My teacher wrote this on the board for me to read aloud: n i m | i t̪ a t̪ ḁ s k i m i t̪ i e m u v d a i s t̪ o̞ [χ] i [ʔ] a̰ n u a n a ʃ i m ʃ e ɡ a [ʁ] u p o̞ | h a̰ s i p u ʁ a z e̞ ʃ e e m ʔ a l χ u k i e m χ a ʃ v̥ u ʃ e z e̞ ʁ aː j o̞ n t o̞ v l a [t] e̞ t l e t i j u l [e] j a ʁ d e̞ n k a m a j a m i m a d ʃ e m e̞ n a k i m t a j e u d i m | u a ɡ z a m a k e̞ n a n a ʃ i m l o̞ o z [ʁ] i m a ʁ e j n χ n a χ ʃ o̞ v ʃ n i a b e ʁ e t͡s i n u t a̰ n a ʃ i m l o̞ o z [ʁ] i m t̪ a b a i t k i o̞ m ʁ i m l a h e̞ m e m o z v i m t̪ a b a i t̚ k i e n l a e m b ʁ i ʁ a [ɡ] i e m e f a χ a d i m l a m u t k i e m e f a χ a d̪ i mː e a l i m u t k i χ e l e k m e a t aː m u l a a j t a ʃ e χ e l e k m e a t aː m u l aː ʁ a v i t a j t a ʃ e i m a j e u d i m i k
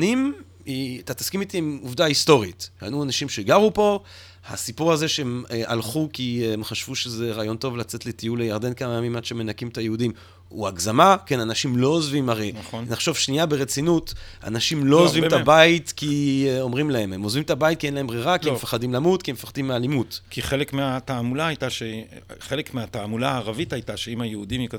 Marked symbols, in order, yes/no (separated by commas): no, no, yes, no, yes, no, no, no